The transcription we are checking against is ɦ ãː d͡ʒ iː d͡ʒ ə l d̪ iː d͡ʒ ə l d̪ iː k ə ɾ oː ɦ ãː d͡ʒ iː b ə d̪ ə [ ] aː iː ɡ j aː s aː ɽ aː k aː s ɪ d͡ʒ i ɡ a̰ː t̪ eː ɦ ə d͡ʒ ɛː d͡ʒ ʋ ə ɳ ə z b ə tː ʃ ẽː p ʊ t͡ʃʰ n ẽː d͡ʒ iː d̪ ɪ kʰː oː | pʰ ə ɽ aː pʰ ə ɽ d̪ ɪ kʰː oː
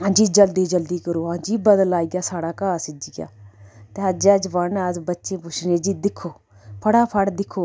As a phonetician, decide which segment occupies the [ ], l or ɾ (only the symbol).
l